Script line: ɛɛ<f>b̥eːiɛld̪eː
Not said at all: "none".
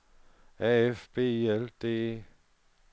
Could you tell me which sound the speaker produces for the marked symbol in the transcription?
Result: f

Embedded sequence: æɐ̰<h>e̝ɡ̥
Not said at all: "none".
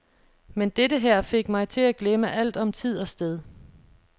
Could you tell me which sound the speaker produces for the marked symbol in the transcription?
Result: f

